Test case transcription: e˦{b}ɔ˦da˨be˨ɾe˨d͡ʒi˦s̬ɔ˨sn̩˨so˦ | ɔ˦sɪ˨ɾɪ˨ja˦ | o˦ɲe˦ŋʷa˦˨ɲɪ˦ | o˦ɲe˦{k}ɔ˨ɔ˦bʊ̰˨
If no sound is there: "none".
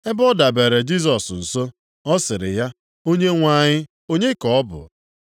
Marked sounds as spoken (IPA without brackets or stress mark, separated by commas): b, k